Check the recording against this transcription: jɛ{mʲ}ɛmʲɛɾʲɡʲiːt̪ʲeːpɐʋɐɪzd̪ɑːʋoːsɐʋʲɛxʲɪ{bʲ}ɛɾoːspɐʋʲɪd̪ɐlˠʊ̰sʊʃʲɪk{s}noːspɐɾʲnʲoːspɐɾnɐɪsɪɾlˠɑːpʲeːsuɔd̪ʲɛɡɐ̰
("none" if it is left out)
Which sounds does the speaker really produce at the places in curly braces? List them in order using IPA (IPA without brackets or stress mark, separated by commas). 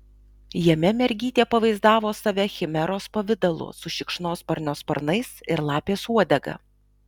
mʲ, mʲ, ʃ